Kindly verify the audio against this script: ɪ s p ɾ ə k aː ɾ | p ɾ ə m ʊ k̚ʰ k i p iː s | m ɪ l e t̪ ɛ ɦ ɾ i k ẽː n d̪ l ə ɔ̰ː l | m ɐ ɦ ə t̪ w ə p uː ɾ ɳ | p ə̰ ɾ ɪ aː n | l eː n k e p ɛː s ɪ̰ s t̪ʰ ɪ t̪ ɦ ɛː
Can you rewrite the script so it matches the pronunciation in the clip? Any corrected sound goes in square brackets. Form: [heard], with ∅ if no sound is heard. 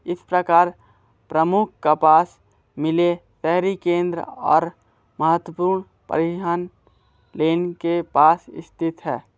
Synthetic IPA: ɪ s p ɾ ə k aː ɾ | p ɾ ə m ʊ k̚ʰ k [a] p [aː] s | m ɪ l e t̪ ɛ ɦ ɾ i k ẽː n d̪ [ɾ] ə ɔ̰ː [ɾ] | m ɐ ɦ ə t̪ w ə p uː ɾ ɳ | p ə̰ ɾ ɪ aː n | l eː n k e p [aː] s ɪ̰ s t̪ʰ ɪ t̪ ɦ ɛː